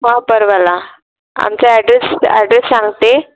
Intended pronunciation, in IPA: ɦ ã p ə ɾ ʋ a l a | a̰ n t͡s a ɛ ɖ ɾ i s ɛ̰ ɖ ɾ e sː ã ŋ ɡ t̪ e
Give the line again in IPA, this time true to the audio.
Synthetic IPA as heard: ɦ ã p ə ɾ ʋ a l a | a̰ m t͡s a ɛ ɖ ɾ e s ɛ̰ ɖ ɾ e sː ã ŋ ɡ t̪ e